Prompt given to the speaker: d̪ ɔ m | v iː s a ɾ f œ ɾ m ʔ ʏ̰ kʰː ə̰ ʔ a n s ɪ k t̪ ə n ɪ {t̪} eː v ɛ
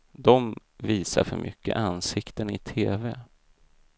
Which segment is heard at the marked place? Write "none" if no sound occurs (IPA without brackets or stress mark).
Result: t̪ʰ